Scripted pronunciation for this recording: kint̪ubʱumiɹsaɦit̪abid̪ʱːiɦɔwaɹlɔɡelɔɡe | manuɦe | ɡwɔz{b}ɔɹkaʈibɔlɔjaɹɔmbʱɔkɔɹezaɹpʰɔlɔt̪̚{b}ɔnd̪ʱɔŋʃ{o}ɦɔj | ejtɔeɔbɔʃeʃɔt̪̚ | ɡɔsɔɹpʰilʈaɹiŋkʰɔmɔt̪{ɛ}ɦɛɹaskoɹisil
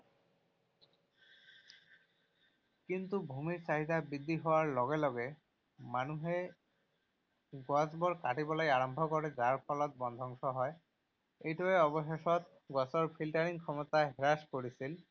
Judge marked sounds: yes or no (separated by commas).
yes, yes, no, no